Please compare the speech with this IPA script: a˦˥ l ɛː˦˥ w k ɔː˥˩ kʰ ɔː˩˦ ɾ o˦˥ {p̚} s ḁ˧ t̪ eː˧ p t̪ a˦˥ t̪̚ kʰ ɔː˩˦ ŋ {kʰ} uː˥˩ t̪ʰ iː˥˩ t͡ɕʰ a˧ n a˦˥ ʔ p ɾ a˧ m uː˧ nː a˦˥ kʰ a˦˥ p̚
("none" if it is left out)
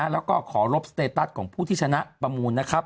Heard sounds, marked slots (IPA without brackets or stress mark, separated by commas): p̚, pʰ